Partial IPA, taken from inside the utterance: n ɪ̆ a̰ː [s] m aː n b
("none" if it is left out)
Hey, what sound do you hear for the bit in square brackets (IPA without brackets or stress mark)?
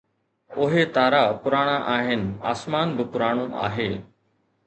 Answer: s